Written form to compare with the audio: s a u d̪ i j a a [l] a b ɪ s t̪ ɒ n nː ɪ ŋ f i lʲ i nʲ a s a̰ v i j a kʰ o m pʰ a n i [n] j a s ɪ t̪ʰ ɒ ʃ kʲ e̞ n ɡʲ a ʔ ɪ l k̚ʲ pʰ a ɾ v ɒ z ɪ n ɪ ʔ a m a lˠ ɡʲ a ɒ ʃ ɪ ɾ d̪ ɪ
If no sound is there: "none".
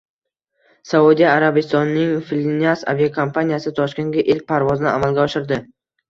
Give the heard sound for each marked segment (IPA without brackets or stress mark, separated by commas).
ɾ, none